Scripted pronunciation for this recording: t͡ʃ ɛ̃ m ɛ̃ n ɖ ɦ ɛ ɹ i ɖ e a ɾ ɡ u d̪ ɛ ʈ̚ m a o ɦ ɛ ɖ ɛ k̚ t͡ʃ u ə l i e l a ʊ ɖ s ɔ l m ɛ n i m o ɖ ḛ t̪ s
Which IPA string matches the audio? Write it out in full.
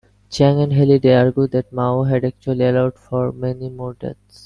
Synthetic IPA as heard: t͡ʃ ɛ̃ ŋ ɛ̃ n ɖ ɦ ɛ l i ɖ e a ɾ ɡ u d̪ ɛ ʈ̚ m a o ɦ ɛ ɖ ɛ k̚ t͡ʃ u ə l i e l a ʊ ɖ f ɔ ɾ m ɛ n i m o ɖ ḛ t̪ s